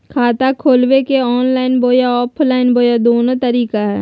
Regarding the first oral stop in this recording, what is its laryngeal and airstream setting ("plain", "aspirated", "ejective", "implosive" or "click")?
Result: aspirated